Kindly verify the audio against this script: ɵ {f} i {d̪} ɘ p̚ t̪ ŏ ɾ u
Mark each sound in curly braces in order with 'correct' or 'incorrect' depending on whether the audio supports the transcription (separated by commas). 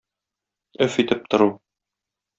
correct, incorrect